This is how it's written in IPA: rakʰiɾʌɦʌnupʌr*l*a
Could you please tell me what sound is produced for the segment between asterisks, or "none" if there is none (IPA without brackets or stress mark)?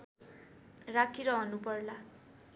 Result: l